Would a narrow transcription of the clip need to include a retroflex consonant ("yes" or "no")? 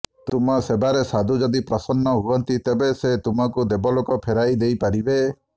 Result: no